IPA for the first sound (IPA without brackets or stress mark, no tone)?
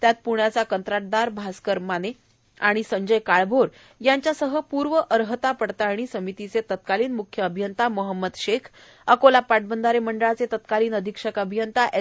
t̪